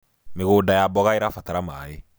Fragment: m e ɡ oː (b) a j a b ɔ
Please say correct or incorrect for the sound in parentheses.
incorrect